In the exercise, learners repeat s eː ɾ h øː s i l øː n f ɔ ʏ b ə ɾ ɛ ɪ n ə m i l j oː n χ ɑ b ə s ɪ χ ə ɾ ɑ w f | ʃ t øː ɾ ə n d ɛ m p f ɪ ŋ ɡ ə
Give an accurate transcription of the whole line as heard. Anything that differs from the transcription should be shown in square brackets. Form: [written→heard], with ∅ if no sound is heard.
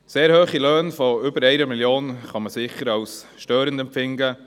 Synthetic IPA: s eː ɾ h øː [s→χ] i l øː n f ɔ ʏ b ə ɾ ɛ ɪ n ə m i l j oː n χ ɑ [b→m] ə s ɪ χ ə ɾ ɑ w [f→s] | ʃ t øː ɾ ə n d ɛ m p f ɪ ŋ ɡ ə